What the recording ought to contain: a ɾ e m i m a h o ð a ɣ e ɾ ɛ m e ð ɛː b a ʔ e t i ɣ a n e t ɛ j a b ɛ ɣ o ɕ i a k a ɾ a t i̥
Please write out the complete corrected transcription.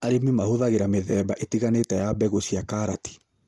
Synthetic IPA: a ɾ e m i m a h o ð a ɣ e ɾ a m e ð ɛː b a ʔ e t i ɣ a n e t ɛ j a b ɛ ɣ o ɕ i a k a ɾ a t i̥